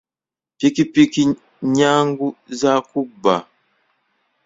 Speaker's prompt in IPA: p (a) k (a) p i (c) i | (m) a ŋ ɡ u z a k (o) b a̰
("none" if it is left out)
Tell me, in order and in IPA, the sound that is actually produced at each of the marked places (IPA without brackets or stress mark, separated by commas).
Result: i, i, k, ɲ, u